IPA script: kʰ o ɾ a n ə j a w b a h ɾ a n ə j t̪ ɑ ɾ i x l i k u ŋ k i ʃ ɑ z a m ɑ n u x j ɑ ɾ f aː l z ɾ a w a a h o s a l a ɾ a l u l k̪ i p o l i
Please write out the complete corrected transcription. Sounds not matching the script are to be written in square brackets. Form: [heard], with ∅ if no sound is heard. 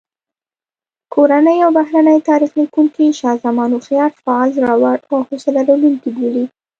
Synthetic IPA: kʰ o ɾ a n ə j a w b a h ɾ a n ə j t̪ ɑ ɾ i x l i k u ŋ k i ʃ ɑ z a m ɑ n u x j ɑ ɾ f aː l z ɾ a w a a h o s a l a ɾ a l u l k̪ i [b] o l i